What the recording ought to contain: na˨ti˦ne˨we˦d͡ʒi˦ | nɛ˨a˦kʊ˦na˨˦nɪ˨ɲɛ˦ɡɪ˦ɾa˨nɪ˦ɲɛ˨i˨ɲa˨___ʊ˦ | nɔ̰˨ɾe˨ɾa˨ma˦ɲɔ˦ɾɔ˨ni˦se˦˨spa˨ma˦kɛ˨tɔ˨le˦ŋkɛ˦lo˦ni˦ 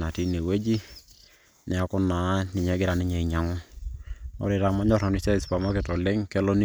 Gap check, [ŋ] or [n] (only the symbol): ŋ